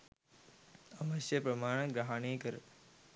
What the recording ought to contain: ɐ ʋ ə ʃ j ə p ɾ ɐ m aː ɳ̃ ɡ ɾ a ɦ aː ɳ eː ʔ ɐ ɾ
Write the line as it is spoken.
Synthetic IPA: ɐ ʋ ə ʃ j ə p ɾ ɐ m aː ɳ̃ ɡ ɾ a ɦ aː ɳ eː k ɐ ɾ